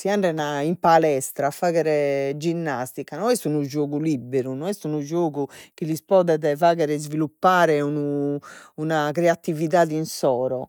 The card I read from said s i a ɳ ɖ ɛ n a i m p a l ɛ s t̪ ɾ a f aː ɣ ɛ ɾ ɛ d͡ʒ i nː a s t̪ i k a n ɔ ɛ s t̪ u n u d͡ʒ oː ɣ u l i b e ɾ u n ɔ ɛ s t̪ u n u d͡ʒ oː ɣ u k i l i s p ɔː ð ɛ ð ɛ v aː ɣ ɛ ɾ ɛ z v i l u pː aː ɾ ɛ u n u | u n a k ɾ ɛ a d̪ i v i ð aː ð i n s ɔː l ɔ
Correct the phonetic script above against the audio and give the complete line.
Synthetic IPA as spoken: s i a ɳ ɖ ɛ n a i m p a l ɛ s t̪ ɾ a f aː ɣ ɛ ɾ ɛ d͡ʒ i nː a s t̪ i k a n ɔ ɛ s t̪ u n u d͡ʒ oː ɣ u l i b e ɾ u n ɔ ɛ s t̪ u n u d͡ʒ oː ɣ u k i l i s p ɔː ð ɛ ð ɛ v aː ɣ ɛ ɾ ɛ z v i l u pː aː ɾ ɛ u n u | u n a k ɾ ɛ a t̪ i v i ð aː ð i n s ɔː ɾ ɔ